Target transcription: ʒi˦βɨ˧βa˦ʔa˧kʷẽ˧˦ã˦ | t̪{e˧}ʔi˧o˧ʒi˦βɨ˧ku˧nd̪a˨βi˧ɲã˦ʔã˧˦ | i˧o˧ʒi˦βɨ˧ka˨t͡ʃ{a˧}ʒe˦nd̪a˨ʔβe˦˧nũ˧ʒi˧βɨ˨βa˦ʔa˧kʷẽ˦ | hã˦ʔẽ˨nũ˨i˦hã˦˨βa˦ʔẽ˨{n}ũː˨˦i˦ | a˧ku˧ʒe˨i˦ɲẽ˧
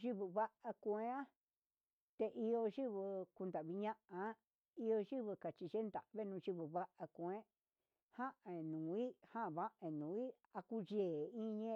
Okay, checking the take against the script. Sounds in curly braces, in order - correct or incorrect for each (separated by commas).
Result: correct, incorrect, correct